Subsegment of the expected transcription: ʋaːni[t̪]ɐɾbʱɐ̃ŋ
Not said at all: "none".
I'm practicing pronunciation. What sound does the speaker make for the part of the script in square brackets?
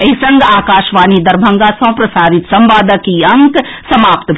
d̪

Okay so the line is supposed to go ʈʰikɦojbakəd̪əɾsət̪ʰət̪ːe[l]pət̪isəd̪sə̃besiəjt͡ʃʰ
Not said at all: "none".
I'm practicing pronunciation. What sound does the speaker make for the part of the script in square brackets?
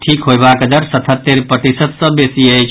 ɾ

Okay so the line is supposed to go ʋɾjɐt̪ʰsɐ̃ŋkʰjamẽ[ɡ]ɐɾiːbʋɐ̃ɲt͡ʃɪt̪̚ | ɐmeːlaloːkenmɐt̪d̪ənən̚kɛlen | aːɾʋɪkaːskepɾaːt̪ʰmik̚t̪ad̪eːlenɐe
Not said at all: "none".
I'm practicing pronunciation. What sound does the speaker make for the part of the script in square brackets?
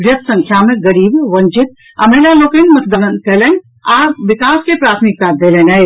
ɡ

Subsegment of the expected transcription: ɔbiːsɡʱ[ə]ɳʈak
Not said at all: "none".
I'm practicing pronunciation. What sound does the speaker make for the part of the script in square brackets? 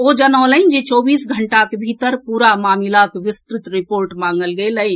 ə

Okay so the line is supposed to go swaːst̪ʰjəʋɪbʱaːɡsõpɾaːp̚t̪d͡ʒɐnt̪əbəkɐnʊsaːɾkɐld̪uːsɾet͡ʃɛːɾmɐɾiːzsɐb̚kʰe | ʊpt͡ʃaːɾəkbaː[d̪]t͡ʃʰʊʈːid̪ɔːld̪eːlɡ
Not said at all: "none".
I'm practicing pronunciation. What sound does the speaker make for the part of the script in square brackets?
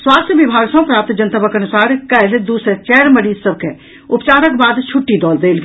d̪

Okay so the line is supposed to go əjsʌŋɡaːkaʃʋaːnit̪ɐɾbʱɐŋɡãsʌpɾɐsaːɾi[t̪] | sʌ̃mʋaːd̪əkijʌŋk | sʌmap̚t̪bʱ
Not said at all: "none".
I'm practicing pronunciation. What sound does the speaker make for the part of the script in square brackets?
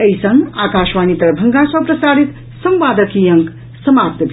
t̪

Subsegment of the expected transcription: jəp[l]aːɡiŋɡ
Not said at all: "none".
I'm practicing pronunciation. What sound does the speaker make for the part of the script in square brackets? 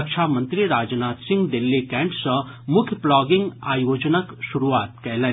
l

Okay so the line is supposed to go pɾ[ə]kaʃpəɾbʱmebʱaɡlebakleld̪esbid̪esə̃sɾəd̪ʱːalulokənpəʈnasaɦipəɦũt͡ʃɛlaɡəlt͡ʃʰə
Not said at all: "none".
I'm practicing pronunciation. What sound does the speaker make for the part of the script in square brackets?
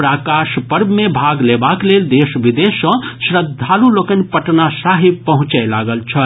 a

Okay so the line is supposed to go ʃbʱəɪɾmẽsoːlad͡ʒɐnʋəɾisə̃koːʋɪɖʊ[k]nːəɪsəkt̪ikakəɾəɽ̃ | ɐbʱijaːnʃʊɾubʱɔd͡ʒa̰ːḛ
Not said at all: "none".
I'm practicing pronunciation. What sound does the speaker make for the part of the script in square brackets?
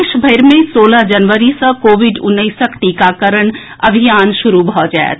none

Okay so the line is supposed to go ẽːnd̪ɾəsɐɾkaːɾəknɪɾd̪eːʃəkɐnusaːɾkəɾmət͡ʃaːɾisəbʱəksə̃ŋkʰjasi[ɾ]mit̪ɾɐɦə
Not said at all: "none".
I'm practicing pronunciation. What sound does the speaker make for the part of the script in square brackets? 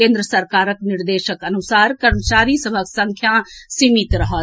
none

